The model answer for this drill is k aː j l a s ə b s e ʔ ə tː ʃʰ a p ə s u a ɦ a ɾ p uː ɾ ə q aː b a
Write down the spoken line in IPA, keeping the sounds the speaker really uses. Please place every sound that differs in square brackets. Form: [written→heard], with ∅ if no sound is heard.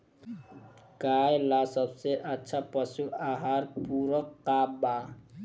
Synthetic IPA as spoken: k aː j l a s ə b s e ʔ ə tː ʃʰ a p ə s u a ɦ a ɾ p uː ɾ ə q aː b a